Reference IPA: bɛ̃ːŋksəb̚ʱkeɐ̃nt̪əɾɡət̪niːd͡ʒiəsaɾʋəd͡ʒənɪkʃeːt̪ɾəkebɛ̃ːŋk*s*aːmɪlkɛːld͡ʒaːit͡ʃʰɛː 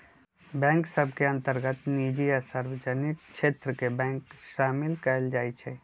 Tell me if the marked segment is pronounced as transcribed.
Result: no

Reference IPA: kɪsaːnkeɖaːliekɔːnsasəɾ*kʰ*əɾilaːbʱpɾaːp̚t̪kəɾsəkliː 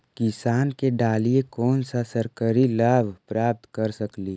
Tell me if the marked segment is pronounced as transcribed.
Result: no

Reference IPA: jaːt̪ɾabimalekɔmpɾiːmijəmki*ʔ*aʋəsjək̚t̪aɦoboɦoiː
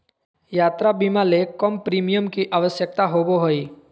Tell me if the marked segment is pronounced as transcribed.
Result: yes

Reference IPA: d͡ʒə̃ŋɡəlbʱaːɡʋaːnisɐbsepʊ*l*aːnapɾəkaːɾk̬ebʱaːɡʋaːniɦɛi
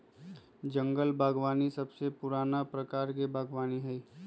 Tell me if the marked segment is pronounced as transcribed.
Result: no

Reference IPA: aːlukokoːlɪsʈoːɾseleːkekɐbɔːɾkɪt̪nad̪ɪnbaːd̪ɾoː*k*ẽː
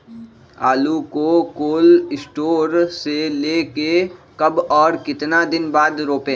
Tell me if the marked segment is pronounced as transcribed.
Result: no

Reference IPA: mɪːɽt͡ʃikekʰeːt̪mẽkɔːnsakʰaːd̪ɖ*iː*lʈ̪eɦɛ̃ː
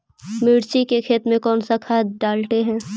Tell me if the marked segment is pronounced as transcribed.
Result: no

